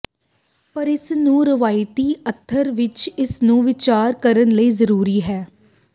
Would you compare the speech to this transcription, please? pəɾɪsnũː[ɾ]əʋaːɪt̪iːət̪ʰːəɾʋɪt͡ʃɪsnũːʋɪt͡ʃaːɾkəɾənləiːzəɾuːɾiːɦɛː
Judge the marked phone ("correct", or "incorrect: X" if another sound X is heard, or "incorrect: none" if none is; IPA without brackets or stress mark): correct